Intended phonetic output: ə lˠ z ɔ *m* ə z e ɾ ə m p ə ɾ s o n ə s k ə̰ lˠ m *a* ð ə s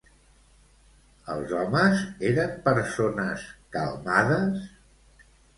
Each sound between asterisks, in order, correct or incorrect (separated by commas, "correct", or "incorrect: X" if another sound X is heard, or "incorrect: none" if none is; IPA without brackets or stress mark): correct, correct